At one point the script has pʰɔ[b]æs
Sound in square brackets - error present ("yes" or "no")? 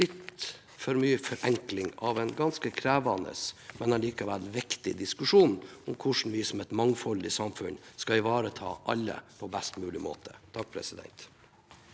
no